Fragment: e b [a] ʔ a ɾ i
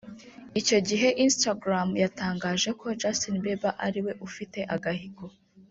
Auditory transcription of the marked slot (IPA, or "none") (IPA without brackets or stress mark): a